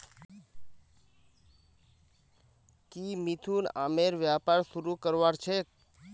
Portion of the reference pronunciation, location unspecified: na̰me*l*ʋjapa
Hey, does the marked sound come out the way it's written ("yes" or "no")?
no